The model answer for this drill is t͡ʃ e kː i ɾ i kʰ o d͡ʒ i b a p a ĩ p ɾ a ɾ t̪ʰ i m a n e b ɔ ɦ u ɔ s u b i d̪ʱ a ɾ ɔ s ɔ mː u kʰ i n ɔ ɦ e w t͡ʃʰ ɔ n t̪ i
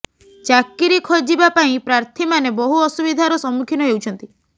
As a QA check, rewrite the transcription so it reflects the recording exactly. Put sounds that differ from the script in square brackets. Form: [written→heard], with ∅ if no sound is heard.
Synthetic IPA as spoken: t͡ʃ [e→a] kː i ɾ i kʰ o d͡ʒ i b a p a ĩ p ɾ a ɾ t̪ʰ i m a n e b ɔ ɦ u ɔ s u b i d̪ʱ a ɾ ɔ s ɔ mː u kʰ i n ɔ ɦ e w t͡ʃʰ ɔ n t̪ i